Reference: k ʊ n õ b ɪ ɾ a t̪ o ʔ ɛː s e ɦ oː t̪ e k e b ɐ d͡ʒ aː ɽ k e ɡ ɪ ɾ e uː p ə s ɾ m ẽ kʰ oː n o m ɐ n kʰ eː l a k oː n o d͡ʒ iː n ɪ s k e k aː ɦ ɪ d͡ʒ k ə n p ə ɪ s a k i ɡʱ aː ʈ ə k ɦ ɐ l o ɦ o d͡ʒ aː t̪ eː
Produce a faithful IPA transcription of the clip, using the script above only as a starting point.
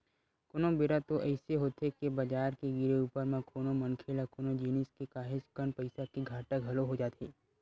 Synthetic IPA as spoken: k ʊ n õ b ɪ ɾ a t̪ o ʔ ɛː s e ɦ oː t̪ e k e b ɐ d͡ʒ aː ɾ k e ɡ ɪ ɾ e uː p ə ɾ m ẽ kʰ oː n o m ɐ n kʰ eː l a k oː n o d͡ʒ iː n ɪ s k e k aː ɦ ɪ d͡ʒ k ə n p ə ɪ s a k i ɡʱ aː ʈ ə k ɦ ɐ l o ɦ o d͡ʒ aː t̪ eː